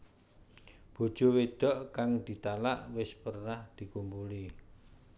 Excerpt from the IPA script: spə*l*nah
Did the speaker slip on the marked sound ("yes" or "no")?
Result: yes